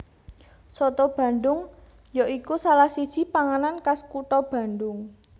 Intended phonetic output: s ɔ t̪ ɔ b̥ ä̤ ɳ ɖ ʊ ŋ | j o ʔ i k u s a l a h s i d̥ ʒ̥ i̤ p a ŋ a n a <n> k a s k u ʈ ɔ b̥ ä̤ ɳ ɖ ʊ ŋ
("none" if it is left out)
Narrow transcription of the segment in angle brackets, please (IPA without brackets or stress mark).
n